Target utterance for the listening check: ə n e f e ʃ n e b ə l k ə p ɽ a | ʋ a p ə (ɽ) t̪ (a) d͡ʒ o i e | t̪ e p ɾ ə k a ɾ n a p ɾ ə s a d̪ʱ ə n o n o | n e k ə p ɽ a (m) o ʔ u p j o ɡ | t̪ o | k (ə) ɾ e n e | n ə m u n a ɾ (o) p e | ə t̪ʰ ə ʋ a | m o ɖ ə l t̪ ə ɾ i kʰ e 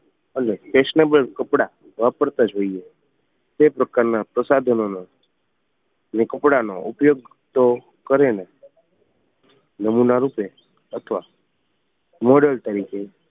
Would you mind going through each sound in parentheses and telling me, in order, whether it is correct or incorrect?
incorrect: ɾ, correct, incorrect: n, correct, incorrect: u

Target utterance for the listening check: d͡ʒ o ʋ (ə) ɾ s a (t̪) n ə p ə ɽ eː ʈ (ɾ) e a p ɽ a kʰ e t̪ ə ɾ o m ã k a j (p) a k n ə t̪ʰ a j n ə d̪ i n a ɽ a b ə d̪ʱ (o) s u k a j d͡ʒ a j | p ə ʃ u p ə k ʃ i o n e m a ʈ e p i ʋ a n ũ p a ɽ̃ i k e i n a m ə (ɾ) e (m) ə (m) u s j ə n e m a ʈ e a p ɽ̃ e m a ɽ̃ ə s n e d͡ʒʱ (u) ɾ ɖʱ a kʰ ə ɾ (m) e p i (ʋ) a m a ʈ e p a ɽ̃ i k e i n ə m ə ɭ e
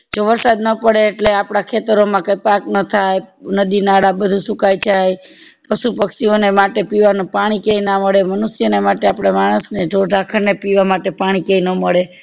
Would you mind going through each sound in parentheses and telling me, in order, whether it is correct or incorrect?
correct, incorrect: d̪, incorrect: l, correct, incorrect: u, incorrect: ɭ, correct, incorrect: n, incorrect: o, incorrect: n, correct

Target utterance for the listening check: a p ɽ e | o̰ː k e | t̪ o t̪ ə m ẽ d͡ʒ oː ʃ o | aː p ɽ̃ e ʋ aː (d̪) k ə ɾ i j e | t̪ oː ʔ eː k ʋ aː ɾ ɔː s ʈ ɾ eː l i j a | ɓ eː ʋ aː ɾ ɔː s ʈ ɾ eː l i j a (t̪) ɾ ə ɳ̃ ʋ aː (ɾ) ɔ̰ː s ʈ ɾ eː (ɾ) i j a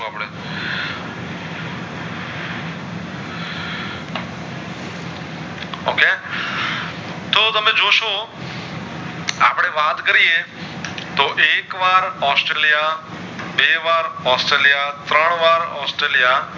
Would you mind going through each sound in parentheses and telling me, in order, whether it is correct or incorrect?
incorrect: t̪, correct, correct, incorrect: l

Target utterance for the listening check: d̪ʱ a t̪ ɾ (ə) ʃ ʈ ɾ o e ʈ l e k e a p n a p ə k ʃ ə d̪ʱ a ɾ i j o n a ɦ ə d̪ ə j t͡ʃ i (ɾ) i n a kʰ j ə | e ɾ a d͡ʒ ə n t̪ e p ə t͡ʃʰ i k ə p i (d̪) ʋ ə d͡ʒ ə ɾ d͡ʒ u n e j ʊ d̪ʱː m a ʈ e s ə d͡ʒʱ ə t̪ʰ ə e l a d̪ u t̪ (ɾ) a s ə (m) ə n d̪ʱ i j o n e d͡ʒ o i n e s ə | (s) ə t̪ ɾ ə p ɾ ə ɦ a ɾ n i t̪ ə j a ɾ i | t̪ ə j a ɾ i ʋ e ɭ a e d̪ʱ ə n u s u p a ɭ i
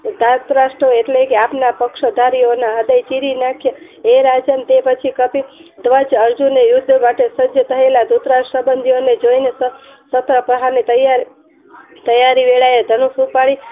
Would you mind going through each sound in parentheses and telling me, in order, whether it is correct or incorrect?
incorrect: a, correct, correct, correct, incorrect: b, correct

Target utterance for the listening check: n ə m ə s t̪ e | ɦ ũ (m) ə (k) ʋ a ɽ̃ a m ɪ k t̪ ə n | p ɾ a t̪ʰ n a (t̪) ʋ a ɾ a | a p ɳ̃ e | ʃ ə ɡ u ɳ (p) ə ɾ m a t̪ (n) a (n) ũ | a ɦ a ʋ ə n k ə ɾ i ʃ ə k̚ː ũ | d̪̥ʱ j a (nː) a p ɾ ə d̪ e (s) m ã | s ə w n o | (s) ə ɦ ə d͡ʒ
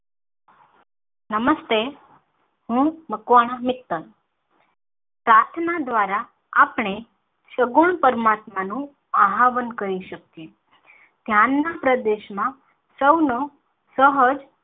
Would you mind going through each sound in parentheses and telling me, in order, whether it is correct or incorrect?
correct, correct, incorrect: d̪, correct, incorrect: m, correct, correct, incorrect: ʃ, correct

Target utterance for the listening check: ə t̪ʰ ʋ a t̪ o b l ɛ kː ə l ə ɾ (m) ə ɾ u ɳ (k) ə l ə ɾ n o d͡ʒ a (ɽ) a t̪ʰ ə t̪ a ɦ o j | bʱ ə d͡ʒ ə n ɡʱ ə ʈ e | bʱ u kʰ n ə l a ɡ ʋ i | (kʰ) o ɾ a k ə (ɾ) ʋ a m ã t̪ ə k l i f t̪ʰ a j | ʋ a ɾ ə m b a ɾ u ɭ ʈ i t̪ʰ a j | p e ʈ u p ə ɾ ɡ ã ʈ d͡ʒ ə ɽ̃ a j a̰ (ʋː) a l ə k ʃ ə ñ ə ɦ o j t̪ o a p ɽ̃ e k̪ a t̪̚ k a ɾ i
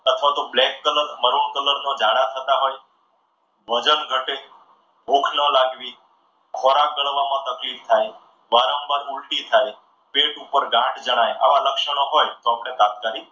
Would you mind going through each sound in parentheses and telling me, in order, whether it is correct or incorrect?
correct, correct, correct, correct, incorrect: ɭ, incorrect: ʋ

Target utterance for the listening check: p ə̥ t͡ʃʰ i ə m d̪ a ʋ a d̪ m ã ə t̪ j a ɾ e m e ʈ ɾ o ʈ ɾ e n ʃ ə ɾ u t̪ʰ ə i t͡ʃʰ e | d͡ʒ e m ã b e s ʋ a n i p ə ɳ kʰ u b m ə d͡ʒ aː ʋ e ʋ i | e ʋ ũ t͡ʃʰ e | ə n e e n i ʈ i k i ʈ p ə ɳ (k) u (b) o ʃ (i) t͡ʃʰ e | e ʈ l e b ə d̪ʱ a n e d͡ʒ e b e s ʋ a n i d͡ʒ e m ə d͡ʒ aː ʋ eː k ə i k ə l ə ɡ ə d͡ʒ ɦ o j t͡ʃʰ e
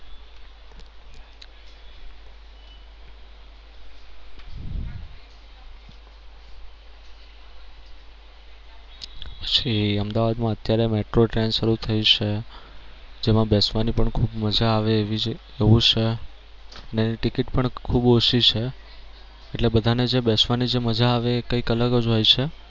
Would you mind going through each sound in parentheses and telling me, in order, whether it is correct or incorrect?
incorrect: kʰ, correct, correct

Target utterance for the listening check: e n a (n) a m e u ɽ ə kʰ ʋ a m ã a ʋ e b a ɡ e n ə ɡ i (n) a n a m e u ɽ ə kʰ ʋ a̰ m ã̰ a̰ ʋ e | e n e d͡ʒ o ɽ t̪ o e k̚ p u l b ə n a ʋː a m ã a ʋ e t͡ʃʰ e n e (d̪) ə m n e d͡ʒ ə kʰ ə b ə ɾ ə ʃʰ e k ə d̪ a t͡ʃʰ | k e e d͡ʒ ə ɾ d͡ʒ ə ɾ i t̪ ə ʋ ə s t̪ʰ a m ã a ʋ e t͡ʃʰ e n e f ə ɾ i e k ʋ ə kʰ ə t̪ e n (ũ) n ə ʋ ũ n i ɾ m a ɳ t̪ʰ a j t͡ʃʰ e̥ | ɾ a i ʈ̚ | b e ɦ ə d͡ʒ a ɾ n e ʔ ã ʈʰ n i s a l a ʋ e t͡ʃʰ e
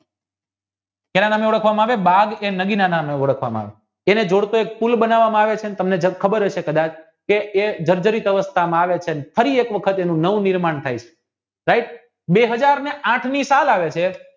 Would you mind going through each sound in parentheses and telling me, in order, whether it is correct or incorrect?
correct, correct, incorrect: t̪, correct

